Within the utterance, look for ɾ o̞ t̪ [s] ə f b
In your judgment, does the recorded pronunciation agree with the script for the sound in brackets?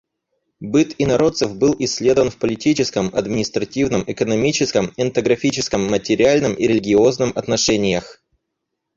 yes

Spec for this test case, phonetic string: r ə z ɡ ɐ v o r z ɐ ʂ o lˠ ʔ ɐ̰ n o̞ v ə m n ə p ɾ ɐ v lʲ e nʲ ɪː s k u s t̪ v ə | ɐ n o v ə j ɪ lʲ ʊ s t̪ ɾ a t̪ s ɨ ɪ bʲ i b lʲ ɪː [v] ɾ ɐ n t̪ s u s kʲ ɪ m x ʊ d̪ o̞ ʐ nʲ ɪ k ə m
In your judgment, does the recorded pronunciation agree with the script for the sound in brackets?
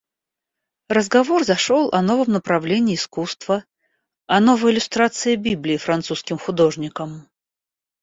no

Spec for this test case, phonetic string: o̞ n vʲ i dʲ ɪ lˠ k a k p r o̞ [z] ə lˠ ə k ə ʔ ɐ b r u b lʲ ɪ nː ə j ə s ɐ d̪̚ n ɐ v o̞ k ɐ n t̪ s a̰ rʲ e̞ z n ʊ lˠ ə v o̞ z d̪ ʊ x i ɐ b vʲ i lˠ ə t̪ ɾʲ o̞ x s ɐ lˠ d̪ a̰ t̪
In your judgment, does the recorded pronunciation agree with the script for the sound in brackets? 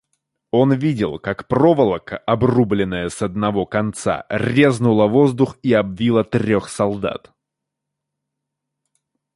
no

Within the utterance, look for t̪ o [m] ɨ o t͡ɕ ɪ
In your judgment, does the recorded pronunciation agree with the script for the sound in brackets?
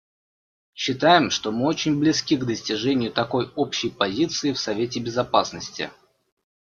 yes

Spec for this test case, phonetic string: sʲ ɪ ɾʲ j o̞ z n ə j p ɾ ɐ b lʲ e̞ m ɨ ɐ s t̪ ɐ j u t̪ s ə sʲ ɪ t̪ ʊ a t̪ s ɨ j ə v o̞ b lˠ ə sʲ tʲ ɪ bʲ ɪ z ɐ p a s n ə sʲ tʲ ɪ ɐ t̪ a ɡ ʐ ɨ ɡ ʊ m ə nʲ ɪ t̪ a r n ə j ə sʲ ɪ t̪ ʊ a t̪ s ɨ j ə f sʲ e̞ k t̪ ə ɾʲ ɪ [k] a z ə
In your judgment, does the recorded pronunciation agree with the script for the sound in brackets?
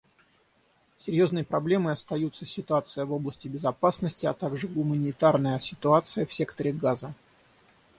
no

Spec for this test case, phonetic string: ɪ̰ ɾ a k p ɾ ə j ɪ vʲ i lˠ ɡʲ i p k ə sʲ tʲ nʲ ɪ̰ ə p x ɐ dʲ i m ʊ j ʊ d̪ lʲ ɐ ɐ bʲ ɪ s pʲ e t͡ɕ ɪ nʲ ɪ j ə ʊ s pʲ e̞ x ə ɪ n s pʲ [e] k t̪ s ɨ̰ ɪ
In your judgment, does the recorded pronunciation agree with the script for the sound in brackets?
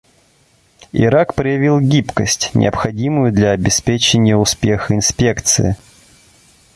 yes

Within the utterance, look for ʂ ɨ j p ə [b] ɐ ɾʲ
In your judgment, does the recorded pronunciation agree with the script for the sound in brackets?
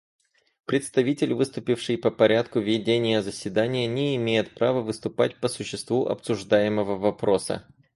no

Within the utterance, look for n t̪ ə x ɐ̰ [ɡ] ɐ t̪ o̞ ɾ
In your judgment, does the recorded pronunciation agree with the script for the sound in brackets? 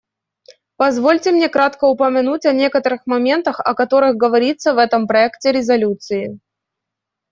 no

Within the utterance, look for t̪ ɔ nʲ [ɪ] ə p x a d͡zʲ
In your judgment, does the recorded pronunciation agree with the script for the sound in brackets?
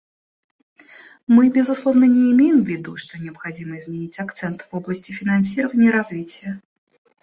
yes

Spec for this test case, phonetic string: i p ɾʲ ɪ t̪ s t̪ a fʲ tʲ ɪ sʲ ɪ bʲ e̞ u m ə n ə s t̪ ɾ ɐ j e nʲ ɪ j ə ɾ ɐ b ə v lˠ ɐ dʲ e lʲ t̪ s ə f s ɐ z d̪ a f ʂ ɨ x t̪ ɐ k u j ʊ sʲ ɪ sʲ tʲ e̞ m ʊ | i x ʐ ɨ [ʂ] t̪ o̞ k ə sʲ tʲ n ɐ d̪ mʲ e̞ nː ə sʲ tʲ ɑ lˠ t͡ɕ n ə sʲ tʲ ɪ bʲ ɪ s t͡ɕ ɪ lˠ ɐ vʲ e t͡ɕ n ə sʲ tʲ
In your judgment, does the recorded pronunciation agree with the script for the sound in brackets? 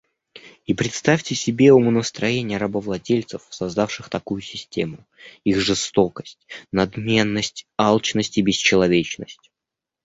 no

